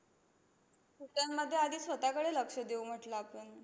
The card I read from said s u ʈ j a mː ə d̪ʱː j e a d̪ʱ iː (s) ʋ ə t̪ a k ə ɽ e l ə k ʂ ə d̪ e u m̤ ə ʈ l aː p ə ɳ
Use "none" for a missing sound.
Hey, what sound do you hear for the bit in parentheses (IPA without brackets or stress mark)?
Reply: s